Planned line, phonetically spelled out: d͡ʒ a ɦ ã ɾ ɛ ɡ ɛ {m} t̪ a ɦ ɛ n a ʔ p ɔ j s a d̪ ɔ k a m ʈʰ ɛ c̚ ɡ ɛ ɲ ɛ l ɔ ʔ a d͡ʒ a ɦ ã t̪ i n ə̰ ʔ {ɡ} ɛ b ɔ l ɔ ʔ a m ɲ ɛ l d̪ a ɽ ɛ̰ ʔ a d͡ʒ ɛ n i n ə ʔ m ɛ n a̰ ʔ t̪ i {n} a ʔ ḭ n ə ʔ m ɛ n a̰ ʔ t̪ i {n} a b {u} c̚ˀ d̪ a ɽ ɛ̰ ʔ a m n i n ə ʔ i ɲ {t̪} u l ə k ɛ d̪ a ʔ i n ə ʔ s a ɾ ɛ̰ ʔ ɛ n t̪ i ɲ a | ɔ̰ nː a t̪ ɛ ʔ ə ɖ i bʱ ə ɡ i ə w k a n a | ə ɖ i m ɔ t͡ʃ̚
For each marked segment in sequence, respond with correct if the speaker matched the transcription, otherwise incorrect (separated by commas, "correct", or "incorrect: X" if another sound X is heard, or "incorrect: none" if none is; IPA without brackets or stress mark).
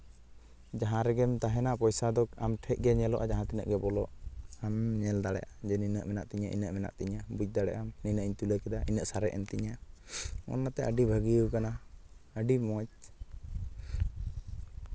correct, correct, incorrect: ɲ, incorrect: ɲ, correct, correct